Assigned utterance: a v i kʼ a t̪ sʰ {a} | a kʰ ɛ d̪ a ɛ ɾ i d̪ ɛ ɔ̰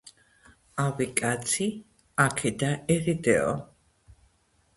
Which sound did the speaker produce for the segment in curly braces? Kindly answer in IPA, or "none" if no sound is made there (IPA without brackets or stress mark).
i